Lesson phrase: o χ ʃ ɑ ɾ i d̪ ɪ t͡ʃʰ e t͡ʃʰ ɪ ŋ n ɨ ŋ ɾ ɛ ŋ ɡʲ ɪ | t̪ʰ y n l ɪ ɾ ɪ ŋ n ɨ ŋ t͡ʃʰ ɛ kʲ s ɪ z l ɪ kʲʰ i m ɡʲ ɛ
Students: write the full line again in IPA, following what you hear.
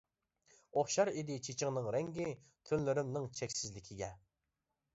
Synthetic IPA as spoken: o χ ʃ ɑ ɾ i d̪ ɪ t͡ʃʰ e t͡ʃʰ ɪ ŋ n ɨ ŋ ɾ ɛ ŋ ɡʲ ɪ | t̪ʰ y n l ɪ ɾ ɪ m n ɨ ŋ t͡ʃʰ ɛ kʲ s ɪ z l ɪ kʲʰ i ɡʲ ɛ